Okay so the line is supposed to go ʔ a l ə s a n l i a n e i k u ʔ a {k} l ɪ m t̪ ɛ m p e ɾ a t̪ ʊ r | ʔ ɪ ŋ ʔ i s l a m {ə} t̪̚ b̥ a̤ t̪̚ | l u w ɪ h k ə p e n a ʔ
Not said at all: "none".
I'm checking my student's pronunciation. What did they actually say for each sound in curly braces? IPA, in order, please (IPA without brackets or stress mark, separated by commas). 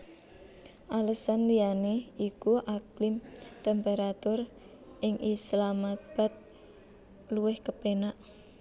k, a